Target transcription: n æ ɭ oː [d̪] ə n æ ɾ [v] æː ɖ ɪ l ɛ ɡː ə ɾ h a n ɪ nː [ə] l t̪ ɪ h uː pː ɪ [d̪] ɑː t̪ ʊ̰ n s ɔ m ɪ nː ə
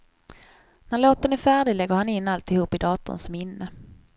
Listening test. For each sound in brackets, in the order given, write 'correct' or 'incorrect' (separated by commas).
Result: incorrect, incorrect, incorrect, correct